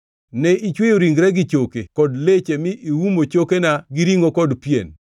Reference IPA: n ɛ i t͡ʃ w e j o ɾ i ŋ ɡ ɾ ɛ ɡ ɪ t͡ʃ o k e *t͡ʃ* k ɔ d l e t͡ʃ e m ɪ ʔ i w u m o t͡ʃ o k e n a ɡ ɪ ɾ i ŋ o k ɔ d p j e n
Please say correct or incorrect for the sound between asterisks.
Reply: incorrect: none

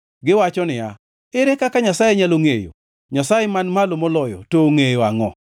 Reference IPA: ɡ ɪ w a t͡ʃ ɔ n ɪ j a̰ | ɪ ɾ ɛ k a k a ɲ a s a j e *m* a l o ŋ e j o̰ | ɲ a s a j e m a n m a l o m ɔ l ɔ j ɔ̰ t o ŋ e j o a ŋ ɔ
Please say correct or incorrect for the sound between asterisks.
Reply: incorrect: ɲ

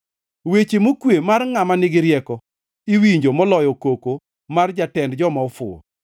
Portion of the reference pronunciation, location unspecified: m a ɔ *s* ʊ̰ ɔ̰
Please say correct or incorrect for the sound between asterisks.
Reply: incorrect: f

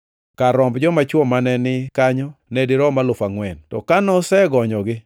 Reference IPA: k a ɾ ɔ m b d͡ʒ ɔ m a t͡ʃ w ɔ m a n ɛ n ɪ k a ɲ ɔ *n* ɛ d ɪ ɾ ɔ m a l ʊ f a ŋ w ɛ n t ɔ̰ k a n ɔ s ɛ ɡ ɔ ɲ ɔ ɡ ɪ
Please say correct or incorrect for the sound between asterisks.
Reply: correct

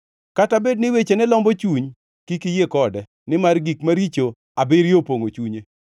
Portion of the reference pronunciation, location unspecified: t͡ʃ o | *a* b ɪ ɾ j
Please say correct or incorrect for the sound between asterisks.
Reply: correct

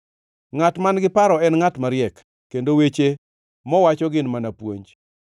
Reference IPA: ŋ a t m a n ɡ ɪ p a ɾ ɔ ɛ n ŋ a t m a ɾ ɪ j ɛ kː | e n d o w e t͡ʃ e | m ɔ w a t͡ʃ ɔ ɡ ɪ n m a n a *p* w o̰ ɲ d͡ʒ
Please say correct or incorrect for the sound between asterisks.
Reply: correct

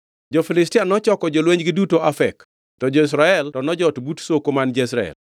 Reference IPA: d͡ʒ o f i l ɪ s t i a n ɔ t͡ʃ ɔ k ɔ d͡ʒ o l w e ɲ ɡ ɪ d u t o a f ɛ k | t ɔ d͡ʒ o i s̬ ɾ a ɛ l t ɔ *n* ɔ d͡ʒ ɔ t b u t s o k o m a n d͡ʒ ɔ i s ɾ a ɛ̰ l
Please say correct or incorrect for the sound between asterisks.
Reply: correct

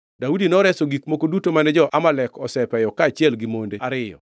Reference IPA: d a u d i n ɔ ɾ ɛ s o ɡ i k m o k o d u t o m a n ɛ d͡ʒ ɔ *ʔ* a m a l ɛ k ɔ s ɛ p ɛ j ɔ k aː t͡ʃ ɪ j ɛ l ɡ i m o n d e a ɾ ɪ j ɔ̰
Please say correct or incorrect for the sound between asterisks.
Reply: correct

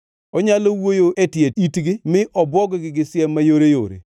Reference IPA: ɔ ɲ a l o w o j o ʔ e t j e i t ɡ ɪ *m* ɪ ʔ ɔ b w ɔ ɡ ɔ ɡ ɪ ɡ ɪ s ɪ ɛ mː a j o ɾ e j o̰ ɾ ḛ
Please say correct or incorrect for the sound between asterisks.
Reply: correct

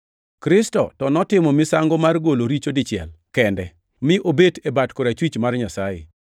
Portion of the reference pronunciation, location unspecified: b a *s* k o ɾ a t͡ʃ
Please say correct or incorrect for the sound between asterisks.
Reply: incorrect: t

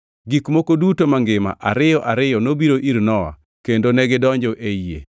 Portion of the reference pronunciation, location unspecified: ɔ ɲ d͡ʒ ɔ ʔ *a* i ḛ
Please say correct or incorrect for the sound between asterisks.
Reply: incorrect: e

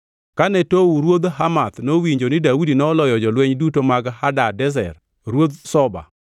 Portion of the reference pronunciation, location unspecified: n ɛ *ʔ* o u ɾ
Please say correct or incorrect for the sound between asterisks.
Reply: incorrect: t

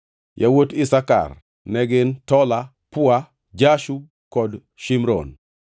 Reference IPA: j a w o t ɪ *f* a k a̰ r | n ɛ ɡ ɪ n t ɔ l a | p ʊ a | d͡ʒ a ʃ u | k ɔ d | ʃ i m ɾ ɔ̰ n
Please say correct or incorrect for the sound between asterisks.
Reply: incorrect: s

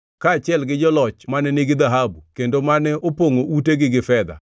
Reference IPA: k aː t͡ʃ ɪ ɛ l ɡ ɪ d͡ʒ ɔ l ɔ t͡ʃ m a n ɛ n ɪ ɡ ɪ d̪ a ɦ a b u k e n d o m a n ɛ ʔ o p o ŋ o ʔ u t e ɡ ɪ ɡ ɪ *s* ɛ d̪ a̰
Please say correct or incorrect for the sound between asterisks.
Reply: incorrect: f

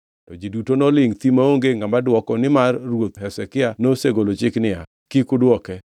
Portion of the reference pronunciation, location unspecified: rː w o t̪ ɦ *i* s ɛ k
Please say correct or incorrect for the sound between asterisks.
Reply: incorrect: ɛ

